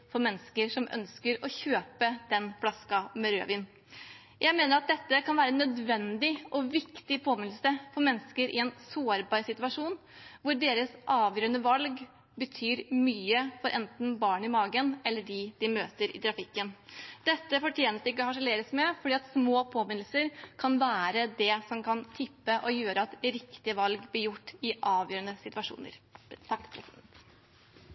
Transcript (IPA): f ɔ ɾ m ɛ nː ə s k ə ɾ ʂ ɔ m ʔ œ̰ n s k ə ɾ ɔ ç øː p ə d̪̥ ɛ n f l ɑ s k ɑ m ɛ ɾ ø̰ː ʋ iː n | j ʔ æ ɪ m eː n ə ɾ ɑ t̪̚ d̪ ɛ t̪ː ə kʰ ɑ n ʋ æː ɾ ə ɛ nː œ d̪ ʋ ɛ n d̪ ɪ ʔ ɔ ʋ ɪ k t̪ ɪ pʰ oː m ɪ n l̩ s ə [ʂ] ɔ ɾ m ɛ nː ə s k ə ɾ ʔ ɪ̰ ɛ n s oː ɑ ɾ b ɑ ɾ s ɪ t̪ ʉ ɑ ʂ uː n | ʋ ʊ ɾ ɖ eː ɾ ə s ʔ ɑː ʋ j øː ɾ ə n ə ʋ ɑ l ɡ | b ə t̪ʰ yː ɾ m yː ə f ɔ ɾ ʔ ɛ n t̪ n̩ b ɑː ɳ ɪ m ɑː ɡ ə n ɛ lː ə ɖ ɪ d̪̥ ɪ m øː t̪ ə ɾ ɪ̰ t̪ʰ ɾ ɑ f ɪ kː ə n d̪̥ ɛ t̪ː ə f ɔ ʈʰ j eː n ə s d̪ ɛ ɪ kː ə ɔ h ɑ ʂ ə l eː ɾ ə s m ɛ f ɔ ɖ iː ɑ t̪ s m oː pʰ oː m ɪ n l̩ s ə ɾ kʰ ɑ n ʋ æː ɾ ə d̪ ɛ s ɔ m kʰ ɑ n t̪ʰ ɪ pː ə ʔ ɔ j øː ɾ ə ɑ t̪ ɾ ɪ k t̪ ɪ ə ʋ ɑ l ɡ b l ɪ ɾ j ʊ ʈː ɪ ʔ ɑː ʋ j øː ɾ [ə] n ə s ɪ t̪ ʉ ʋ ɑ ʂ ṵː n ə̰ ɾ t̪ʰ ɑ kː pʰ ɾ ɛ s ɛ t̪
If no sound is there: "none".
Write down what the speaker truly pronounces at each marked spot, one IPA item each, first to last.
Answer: f, ə

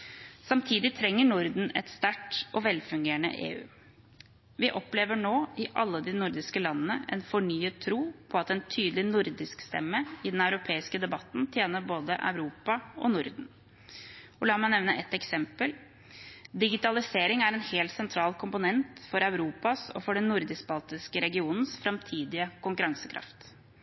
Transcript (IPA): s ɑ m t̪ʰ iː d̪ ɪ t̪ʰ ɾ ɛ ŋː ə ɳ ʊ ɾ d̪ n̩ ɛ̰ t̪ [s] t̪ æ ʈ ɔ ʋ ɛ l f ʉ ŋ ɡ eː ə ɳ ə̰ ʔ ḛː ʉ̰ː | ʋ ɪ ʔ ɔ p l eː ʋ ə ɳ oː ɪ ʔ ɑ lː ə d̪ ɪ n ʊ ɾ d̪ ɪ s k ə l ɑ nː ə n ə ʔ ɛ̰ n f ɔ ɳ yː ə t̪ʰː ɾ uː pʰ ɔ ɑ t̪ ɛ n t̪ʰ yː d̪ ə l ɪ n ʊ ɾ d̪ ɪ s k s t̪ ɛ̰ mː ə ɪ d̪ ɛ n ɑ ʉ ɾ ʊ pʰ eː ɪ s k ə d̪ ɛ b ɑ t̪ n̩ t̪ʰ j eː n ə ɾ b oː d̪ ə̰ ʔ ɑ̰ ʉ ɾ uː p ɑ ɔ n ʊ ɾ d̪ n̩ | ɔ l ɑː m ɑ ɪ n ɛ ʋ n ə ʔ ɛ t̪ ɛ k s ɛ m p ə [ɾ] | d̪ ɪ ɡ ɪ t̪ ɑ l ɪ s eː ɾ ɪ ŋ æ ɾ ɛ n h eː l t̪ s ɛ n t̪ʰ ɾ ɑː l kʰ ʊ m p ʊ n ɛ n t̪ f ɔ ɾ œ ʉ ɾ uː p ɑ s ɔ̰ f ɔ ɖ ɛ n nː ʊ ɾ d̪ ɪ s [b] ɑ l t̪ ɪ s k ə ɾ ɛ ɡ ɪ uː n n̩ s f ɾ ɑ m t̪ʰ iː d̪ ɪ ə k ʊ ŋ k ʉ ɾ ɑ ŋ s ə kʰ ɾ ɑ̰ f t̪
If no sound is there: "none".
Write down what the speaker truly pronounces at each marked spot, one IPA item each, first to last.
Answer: s, l, b

